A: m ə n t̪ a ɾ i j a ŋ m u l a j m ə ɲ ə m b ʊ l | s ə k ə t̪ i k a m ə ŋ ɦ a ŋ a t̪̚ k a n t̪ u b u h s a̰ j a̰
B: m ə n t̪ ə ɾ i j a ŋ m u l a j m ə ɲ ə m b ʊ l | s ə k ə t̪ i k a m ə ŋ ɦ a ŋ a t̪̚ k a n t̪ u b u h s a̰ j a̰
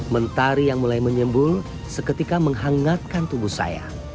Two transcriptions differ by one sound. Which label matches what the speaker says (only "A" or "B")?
A